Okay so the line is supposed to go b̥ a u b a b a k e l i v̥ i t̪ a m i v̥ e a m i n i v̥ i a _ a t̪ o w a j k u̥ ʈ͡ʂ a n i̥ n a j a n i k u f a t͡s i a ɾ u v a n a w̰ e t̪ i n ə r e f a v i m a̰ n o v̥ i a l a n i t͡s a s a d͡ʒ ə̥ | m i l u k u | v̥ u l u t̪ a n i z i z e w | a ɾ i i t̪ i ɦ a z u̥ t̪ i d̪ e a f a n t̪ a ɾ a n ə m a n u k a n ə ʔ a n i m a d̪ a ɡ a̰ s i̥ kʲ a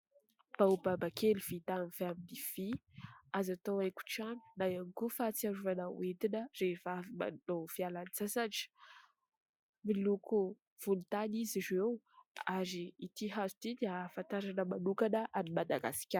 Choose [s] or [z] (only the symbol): z